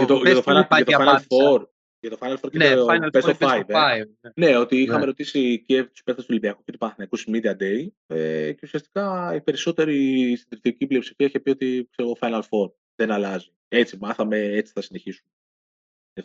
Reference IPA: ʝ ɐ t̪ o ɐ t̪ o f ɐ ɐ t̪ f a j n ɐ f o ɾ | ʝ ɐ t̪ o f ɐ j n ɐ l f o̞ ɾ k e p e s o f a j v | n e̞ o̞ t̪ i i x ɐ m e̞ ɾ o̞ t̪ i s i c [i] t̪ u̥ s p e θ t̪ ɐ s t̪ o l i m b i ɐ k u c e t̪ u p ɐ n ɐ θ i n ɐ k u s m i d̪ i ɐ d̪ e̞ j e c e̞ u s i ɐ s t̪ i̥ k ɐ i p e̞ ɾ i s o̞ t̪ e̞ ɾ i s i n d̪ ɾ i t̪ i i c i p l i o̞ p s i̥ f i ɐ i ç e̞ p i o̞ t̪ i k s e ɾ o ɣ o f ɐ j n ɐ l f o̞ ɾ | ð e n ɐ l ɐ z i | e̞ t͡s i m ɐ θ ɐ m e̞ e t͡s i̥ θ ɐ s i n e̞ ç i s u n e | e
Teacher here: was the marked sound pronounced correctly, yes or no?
no